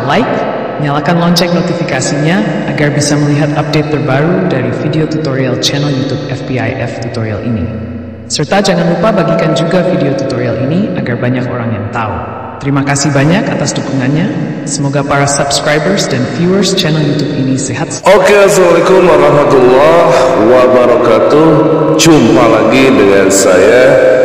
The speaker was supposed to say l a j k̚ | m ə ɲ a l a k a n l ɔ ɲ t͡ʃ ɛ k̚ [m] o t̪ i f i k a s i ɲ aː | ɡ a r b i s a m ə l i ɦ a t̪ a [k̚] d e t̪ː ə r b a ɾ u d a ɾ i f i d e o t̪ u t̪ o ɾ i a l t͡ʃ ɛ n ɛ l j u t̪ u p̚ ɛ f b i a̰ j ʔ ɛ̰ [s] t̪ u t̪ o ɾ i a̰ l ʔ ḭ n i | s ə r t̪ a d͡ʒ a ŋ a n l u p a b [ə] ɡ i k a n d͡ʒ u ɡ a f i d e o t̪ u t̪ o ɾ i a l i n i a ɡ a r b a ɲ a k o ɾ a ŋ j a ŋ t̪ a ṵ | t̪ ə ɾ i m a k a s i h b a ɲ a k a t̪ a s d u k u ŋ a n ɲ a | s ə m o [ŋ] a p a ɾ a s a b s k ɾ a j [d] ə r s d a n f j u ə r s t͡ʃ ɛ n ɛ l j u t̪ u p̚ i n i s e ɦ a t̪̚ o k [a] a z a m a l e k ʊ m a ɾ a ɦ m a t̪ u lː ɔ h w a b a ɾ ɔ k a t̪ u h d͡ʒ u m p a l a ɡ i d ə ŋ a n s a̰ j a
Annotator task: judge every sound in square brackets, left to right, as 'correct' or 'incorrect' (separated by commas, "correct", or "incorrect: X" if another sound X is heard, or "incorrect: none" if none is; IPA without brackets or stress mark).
incorrect: n, incorrect: p̚, incorrect: f, incorrect: a, incorrect: ɡ, incorrect: b, incorrect: e